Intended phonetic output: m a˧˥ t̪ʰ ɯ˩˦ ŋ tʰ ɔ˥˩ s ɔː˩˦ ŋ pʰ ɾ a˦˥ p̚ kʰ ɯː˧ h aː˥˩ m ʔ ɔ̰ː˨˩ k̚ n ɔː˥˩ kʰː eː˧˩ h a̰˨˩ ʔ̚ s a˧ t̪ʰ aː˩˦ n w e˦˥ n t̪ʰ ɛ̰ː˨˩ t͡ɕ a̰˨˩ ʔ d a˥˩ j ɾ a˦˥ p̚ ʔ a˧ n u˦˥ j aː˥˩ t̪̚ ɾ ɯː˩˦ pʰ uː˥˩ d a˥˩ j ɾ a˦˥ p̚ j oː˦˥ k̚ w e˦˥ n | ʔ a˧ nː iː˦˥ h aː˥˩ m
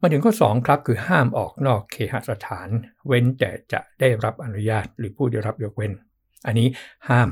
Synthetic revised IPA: m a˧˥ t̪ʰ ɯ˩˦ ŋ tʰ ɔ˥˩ s ɔː˩˦ ŋ kʰ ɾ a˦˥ p̚ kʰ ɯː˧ h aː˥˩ m ʔ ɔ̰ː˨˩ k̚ n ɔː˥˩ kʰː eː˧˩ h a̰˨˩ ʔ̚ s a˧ t̪ʰ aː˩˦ n w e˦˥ n t̪ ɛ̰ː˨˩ t͡ɕ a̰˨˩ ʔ d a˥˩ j ɾ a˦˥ p̚ ʔ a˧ n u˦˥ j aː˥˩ t̪̚ ɾ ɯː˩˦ pʰ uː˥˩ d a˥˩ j ɾ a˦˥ p̚ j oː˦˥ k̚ w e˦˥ n | ʔ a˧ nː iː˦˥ h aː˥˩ m